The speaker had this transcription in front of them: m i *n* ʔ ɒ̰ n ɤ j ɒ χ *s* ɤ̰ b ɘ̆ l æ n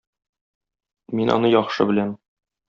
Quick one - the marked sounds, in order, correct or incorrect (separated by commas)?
correct, incorrect